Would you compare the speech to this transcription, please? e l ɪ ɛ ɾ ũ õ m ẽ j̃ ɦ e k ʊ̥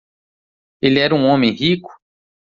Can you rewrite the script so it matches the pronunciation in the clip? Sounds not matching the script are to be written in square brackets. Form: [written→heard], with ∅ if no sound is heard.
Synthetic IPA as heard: e l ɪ ɛ ɾ ũ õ m ẽ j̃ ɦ [e→i] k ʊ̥

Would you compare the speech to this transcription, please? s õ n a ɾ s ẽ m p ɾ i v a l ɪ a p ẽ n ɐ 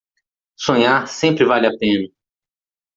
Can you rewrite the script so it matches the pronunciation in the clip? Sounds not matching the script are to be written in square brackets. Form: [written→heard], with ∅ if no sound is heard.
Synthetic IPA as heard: s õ [n→ɲ] a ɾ s ẽ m p ɾ [i→ɪ] v a l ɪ a p ẽ n ɐ

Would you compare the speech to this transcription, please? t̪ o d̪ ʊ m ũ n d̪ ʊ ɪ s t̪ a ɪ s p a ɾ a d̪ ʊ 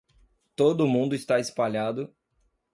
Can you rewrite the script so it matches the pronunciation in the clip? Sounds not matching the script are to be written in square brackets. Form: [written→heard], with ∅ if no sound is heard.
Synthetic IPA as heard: t̪ o d̪ ʊ m ũ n d̪ ʊ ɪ s t̪ a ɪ s p a [ɾ→ʎ] a d̪ ʊ

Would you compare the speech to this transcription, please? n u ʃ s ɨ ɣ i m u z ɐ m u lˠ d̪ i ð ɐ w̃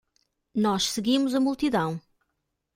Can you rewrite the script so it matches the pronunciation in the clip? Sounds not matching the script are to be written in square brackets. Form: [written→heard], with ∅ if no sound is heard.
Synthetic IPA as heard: n [u→ɔ] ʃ s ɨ ɣ i m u z ɐ m u lˠ [d̪→t̪] i ð [ɐ→ɐ̃] w̃

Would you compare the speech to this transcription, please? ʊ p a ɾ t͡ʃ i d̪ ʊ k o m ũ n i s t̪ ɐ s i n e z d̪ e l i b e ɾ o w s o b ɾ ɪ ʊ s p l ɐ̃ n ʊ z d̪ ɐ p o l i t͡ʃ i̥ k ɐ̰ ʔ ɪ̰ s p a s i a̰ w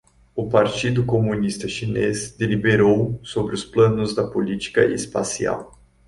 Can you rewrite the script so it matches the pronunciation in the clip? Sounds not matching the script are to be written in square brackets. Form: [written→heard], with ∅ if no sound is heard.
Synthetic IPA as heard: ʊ p a ɾ t͡ʃ i d̪ ʊ k o m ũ n i s t̪ ɐ [s→ʃ] i n e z d̪ e l i b e ɾ o w s o b ɾ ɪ ʊ s p l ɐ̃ n ʊ z d̪ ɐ p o l i t͡ʃ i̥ k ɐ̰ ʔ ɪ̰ s p a s i a̰ w

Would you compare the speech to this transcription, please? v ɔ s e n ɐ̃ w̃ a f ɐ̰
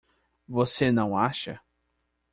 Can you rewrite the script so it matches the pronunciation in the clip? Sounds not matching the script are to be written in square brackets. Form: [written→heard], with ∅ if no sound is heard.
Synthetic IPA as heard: v [ɔ→o] s e n ɐ̃ w̃ a [f→ʃ] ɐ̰

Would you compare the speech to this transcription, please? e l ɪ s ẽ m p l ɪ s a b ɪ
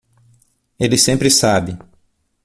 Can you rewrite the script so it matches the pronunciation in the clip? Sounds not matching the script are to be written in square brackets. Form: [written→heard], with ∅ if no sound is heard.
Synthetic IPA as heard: e l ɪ s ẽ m p [l→ɾ] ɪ s a b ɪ

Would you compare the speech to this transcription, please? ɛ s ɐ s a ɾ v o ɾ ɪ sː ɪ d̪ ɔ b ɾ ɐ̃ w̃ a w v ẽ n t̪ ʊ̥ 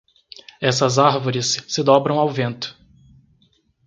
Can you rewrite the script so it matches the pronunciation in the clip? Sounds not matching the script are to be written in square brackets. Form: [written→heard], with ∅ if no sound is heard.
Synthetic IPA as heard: ɛ s ɐ [s→z] a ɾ v o ɾ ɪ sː ɪ d̪ ɔ b ɾ ɐ̃ w̃ a w v ẽ n t̪ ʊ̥

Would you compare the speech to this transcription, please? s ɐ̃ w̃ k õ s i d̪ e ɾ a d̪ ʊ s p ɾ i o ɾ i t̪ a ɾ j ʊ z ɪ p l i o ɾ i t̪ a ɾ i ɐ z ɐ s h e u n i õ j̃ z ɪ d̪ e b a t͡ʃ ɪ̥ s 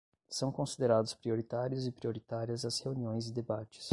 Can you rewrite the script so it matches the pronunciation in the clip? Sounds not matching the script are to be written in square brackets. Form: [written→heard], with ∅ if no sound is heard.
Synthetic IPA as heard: s ɐ̃ w̃ k õ s i d̪ e ɾ a d̪ ʊ s p ɾ i o ɾ i t̪ a ɾ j ʊ z ɪ p [l→ɾ] i o ɾ i t̪ a ɾ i ɐ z ɐ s h e u n i õ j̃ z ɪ d̪ e b a t͡ʃ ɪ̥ s

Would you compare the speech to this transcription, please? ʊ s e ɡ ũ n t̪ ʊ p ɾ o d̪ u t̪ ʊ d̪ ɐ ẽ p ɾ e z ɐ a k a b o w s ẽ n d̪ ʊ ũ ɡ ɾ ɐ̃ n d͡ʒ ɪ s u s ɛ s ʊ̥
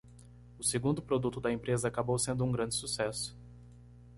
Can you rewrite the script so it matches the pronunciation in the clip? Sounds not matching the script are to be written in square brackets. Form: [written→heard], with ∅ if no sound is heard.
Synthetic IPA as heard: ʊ s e ɡ ũ n [t̪→d̪] ʊ p ɾ o d̪ u t̪ ʊ d̪ ɐ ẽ p ɾ e z ɐ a k a b o w s ẽ n d̪ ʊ ũ ɡ ɾ ɐ̃ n d͡ʒ ɪ s u s ɛ s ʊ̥

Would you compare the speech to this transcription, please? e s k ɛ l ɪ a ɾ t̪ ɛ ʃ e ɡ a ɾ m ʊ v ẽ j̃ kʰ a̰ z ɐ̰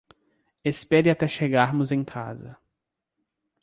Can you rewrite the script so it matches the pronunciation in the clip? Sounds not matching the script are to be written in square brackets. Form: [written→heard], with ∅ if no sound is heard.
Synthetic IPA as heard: e s [k→p] ɛ [l→ɾ] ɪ a [ɾ→∅] t̪ ɛ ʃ e ɡ a ɾ m ʊ [v→z] ẽ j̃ kʰ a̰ z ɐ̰

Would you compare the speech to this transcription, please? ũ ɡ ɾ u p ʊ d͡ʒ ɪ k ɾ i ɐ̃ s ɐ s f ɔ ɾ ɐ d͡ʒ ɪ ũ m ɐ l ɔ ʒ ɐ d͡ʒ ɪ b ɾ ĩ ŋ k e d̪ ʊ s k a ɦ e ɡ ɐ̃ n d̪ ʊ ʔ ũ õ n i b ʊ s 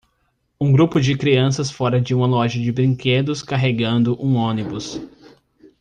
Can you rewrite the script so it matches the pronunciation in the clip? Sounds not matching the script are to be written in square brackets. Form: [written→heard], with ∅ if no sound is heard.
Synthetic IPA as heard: ũ ɡ ɾ u p ʊ d͡ʒ ɪ k ɾ i ɐ̃ s ɐ s f ɔ ɾ ɐ d͡ʒ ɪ ũ m ɐ l ɔ ʒ ɐ d͡ʒ ɪ b ɾ ĩ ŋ k e d̪ ʊ s k a ɦ e ɡ ɐ̃ n d̪ ʊ ʔ ũ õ n i b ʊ s

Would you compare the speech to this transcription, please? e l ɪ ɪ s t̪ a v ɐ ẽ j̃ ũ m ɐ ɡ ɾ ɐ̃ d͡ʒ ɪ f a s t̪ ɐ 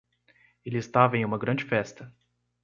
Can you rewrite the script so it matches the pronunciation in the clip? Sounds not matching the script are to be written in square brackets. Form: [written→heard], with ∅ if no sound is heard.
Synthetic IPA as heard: e l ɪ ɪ s t̪ a v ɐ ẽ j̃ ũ m ɐ ɡ ɾ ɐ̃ d͡ʒ ɪ f [a→ɛ] s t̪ ɐ

